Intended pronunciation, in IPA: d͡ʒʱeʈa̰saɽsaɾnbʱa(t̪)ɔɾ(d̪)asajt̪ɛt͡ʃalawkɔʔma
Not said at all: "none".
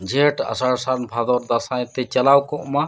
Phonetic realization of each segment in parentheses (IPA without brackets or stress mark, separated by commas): d̪, d̪